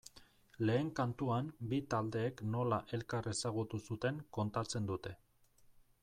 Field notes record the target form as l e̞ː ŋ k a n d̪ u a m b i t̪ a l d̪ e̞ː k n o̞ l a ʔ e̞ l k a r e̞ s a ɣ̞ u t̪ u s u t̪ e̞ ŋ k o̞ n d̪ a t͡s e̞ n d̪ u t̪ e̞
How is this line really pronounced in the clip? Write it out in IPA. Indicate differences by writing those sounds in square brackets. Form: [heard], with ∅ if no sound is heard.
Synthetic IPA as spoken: l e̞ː ŋ k a n [t̪] u a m b i t̪ a l d̪ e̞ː k n o̞ l a ʔ e̞ l k a r e̞ s a ɣ̞ u t̪ u s u t̪ e̞ ŋ k o̞ n [t̪] a t͡s e̞ n d̪ u t̪ e̞